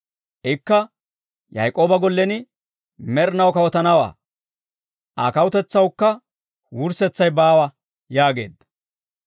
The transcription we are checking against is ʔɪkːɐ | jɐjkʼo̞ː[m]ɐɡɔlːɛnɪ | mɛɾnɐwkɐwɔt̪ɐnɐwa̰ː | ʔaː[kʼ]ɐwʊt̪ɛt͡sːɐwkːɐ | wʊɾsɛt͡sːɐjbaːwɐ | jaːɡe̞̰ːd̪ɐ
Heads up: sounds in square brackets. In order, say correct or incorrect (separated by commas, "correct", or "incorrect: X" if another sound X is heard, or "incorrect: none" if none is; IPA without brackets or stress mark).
incorrect: b, incorrect: k